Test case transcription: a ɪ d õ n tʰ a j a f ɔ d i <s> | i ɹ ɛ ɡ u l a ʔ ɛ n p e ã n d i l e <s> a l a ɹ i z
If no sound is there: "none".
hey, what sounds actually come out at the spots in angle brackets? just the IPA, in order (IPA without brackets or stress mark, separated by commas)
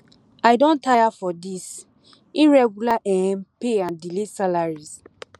s, s